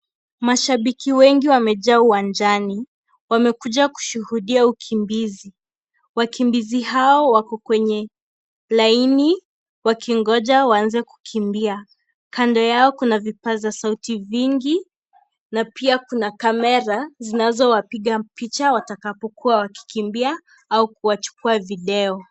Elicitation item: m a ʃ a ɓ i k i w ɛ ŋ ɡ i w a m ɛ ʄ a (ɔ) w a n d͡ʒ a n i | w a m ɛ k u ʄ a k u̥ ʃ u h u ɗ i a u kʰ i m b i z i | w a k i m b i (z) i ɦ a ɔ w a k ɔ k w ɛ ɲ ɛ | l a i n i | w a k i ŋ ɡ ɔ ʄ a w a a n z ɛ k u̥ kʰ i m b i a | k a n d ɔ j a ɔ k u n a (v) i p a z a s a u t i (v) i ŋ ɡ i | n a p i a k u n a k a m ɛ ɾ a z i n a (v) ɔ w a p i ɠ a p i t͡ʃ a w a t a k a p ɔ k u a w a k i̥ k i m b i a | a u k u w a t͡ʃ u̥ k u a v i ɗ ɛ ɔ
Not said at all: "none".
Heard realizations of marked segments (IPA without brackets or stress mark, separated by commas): u, z, v, v, z